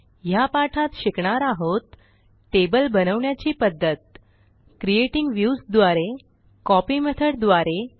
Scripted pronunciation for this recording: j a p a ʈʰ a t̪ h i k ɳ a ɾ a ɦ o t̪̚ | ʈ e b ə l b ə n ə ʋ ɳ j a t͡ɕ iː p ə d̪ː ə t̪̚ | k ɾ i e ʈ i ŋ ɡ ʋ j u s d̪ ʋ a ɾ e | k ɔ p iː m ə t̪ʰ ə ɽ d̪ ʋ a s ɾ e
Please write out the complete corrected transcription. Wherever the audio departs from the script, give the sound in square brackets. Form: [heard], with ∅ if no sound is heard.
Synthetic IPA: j a p a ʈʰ a t̪ [ɕ] i k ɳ a ɾ a ɦ o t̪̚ | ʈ e b ə l b ə n ə ʋ ɳ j a t͡ɕ iː p ə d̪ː ə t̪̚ | k ɾ i e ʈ i ŋ ɡ ʋ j u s d̪ ʋ a ɾ e | k ɔ p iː m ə t̪ʰ ə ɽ d̪ ʋ a [∅] ɾ e